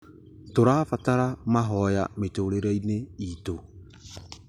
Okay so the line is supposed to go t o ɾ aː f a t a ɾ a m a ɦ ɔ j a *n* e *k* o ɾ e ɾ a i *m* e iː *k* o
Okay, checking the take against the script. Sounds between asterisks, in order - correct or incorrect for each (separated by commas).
incorrect, incorrect, incorrect, incorrect